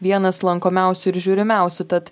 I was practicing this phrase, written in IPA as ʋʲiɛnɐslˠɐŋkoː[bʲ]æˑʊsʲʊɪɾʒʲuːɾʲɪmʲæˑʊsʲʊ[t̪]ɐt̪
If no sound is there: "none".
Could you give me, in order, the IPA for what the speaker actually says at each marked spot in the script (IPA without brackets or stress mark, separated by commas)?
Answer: mʲ, t̪